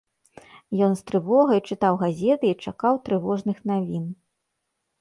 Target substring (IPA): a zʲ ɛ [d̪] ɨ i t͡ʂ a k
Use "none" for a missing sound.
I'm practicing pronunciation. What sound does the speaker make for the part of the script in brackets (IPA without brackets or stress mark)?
t̪